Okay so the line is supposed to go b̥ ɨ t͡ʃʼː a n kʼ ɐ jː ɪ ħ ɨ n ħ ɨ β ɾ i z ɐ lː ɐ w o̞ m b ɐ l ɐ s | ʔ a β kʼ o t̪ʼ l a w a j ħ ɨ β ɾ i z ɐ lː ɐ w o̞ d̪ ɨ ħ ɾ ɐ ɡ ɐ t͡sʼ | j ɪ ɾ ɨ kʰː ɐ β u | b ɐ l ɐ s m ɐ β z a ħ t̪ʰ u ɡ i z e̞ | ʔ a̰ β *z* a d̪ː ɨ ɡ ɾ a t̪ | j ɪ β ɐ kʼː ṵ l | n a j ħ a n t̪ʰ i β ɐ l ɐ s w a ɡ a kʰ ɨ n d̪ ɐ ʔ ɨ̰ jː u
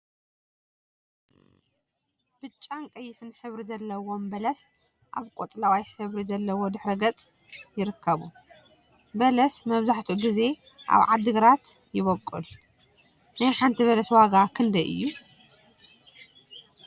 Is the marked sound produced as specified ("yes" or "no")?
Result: no